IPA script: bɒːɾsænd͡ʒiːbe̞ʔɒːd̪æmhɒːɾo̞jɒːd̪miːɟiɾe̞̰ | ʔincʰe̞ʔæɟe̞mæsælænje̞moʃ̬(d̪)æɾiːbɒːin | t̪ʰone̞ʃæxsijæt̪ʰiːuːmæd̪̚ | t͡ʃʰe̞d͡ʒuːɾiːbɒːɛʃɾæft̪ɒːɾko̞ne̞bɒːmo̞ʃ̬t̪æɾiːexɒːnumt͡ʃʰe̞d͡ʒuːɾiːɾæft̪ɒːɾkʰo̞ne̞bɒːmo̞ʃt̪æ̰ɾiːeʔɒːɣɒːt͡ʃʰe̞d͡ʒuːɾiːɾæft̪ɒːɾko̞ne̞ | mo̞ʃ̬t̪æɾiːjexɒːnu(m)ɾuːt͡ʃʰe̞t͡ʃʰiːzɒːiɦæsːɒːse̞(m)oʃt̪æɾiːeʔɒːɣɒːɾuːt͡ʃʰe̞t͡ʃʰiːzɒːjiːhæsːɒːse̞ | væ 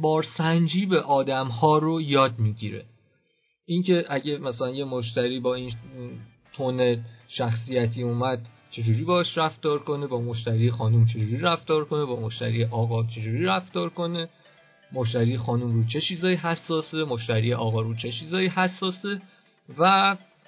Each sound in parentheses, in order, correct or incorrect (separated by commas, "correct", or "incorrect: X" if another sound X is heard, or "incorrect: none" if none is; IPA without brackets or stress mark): incorrect: t̪, correct, correct